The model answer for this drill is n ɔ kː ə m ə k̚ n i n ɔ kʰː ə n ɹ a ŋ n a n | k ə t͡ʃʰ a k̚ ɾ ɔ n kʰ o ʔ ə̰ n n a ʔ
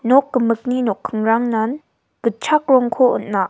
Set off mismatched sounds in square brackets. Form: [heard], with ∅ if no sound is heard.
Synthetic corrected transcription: n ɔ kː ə m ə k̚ n i n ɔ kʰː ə [ŋ] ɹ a ŋ n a n | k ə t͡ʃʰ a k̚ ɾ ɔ [ŋ] kʰ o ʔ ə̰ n n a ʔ